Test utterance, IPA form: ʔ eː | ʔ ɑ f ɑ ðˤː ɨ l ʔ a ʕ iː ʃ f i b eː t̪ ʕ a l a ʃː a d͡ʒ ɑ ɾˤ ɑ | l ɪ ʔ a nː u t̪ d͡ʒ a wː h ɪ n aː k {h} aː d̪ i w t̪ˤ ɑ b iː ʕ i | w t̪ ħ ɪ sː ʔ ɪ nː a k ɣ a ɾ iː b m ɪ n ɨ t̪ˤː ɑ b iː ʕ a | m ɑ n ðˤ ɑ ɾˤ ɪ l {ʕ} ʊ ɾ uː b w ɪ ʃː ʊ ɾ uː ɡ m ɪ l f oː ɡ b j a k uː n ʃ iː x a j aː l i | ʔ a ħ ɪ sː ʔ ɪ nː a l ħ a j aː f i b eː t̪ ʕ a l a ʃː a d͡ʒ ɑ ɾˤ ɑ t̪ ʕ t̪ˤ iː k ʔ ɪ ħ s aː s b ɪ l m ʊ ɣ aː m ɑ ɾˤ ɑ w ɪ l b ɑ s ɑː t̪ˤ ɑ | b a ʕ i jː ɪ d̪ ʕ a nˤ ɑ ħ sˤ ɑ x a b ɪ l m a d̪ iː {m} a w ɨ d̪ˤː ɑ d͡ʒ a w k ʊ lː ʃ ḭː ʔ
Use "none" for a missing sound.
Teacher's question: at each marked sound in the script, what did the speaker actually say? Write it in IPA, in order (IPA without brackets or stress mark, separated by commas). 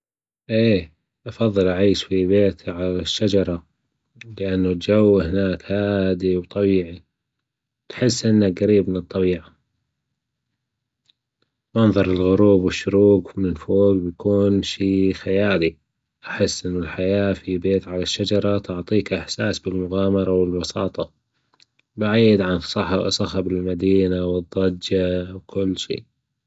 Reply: h, ɣ, n